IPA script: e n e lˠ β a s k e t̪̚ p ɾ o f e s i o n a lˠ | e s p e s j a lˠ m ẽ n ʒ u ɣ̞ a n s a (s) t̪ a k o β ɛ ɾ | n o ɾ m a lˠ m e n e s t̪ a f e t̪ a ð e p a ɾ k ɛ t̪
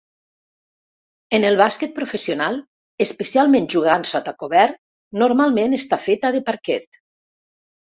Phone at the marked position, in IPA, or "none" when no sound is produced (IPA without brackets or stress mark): none